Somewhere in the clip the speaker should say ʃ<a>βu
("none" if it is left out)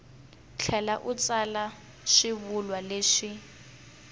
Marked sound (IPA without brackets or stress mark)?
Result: i